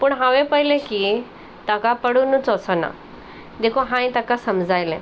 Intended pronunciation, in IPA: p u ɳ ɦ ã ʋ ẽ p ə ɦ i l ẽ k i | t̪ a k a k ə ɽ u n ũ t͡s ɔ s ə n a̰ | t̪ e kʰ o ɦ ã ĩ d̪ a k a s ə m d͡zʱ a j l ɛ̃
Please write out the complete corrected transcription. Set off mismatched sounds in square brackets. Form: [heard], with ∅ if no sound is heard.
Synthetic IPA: p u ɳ ɦ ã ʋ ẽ p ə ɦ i l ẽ k i | t̪ a k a [p] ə ɽ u n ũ t͡s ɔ s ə n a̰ | [d̪] e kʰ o ɦ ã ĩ [t̪] a k a s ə m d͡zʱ a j l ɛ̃